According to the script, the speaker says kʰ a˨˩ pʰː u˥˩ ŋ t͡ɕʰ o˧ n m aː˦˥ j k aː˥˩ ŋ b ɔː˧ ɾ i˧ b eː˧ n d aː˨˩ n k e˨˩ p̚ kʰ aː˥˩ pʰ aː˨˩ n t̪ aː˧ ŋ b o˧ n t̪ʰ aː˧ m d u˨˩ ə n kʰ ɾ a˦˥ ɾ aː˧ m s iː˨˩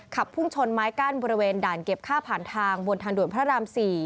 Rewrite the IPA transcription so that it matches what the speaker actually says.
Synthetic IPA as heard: kʰ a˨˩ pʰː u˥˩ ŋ t͡ɕʰ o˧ n m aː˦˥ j k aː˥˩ n b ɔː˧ ɾ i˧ w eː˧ n d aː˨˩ n k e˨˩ p̚ kʰ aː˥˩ pʰ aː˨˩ n t̪ʰ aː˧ ŋ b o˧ n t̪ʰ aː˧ ŋ d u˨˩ ə n pʰ ɾ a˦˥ ɾ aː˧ m s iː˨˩